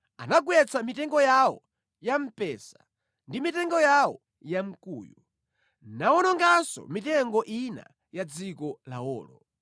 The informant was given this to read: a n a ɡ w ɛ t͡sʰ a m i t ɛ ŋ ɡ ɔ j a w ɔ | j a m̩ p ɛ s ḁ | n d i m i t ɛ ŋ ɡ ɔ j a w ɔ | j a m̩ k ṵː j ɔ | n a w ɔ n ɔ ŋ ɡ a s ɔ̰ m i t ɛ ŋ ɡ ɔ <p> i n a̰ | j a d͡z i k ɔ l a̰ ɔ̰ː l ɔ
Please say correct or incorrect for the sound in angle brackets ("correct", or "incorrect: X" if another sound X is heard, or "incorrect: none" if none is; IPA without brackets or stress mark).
incorrect: ʔ